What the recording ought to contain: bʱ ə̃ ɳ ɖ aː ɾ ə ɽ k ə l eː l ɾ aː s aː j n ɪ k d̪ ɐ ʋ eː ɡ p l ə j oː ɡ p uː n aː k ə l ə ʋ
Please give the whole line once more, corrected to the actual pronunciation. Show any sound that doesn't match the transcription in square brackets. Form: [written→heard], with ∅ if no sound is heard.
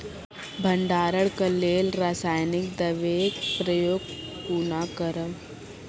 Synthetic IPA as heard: bʱ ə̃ ɳ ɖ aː ɾ ə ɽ k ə l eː l ɾ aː s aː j n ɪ k d̪ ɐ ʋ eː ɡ p [l→ɾ] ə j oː ɡ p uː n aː k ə [l→ɾ] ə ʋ